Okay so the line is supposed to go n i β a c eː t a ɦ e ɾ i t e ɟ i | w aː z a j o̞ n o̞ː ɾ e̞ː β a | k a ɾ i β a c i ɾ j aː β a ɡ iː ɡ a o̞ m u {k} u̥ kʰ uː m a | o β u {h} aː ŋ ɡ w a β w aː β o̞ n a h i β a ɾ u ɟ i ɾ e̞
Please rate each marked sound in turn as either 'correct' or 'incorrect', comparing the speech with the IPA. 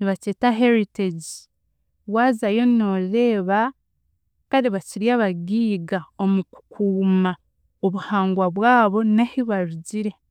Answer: correct, correct

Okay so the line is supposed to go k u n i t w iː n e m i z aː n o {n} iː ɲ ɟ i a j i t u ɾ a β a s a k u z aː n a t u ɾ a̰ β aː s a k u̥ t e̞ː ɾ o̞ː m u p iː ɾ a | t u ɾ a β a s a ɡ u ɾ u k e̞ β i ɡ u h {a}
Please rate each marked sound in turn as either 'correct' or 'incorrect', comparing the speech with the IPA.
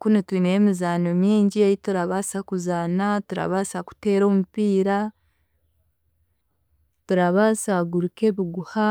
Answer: incorrect, correct

